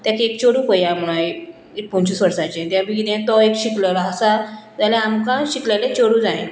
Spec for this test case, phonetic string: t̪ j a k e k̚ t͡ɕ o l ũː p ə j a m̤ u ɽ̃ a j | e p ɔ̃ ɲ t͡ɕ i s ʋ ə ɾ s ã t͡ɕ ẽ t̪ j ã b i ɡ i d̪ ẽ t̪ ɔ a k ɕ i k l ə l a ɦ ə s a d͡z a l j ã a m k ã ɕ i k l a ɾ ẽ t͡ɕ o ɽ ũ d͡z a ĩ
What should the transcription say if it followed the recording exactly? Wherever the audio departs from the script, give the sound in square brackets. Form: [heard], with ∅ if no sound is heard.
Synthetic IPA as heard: t̪ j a k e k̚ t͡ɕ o [ɽ] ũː p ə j a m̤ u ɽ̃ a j | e p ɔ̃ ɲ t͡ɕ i s ʋ ə ɾ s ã t͡ɕ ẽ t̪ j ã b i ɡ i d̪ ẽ t̪ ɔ [e] k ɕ i k l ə l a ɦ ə s a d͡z a l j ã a m k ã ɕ i k l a [l] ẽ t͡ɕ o ɽ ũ d͡z a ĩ